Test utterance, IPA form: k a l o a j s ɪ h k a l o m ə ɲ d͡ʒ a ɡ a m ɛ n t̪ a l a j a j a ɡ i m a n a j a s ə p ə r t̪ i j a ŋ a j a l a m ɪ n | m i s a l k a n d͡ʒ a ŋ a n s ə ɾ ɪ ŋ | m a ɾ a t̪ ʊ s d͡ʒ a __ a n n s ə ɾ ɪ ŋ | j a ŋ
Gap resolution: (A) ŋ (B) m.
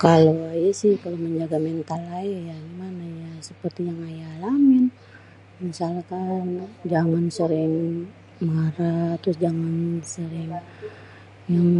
A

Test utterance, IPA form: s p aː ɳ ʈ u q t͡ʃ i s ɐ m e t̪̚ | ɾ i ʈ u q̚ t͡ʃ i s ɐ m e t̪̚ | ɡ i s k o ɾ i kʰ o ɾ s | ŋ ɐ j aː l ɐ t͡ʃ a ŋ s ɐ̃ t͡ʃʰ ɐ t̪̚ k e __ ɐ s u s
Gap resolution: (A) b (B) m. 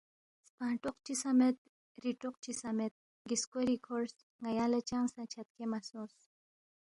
B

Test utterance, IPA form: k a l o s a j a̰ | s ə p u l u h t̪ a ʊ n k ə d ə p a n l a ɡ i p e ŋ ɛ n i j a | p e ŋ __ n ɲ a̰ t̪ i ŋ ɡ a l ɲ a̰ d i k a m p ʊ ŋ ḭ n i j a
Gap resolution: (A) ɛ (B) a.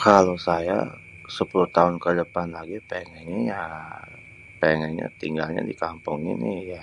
A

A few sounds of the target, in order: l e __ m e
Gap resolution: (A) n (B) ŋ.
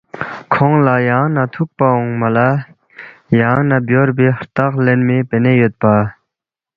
A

